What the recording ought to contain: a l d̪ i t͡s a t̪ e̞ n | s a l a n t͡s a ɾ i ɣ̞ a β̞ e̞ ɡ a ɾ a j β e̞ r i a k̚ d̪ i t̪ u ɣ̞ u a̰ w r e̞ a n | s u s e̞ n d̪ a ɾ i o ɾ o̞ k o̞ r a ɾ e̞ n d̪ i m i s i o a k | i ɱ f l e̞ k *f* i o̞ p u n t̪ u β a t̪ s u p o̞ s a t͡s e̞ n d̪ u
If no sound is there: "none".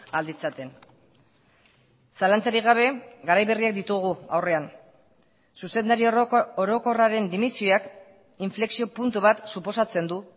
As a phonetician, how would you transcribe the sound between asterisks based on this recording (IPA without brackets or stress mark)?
s